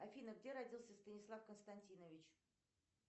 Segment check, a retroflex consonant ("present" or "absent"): absent